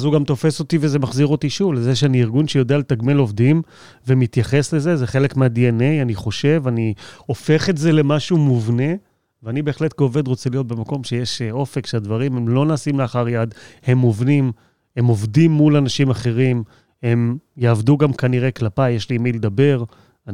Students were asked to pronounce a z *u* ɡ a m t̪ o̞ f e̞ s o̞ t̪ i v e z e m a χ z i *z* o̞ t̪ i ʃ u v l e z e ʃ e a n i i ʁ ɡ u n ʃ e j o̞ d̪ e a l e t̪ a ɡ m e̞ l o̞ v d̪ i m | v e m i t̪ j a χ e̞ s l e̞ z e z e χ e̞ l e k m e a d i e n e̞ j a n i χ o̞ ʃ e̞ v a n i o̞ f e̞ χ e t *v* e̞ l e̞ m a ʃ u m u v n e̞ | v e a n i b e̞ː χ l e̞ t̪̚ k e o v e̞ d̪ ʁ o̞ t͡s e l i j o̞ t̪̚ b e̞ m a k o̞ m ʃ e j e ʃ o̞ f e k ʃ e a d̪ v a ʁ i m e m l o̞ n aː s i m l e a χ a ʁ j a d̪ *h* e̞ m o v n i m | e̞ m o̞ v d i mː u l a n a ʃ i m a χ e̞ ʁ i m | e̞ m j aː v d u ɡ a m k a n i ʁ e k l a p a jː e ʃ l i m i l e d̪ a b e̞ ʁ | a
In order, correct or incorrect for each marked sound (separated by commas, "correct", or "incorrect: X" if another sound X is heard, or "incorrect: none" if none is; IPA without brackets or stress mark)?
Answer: correct, incorrect: ʁ, incorrect: z, correct